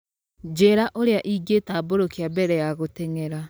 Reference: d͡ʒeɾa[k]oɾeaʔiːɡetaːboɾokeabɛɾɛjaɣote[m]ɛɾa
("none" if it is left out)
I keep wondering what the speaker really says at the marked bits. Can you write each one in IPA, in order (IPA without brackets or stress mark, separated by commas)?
ʔ, ŋ